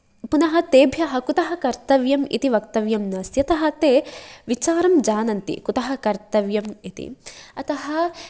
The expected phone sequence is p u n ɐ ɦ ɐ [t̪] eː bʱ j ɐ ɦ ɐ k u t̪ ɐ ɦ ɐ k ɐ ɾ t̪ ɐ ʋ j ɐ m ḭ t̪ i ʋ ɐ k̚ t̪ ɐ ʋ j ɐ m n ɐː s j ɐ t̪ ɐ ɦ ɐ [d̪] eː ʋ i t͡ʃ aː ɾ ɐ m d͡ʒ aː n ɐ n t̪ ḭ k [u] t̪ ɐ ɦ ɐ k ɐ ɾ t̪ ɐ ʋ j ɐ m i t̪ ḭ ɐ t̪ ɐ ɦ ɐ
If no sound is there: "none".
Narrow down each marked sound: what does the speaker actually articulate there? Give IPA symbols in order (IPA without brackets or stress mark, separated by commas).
t̪, t̪, u